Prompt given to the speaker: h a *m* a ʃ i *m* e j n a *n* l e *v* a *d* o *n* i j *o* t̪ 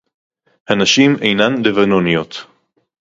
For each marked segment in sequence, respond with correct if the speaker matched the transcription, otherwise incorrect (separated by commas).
incorrect, correct, correct, correct, incorrect, correct, correct